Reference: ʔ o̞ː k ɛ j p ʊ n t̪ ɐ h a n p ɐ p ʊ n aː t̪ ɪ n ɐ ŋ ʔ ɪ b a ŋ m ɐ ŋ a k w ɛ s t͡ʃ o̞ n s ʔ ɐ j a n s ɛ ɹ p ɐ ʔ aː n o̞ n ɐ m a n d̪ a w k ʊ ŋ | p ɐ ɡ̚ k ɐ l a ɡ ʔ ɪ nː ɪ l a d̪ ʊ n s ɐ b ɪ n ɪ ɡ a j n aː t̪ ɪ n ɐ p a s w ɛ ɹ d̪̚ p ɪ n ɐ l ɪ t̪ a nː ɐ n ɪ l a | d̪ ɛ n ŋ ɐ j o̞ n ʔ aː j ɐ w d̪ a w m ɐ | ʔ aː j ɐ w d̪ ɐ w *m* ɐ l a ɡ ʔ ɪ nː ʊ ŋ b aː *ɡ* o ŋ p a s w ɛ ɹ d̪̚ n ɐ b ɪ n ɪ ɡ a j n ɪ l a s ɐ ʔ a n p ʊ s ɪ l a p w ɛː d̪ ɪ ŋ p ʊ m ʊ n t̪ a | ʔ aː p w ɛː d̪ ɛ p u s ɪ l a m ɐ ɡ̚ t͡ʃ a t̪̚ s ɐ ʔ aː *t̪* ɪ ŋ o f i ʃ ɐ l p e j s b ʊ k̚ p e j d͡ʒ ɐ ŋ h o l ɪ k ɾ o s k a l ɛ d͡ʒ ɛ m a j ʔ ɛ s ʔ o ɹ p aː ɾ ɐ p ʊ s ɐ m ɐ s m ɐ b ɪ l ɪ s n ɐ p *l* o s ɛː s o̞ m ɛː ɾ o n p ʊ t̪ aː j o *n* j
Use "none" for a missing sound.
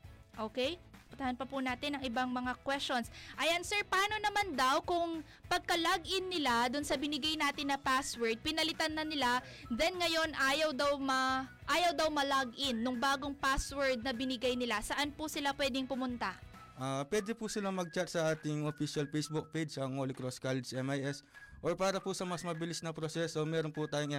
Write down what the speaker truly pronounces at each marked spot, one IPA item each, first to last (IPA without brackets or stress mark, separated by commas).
m, ɡ, t̪, ɾ, ŋ